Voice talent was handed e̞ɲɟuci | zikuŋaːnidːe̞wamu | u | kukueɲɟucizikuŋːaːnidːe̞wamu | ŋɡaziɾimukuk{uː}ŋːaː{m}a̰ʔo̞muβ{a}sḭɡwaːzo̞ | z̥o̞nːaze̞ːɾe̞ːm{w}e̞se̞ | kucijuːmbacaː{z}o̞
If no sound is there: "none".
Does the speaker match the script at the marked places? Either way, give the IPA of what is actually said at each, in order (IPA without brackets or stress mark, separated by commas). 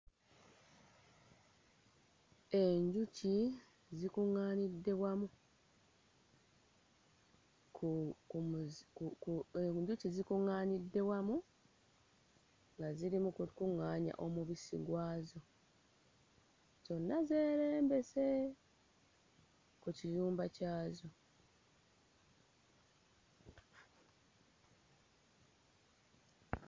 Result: u, ɲ, i, b, z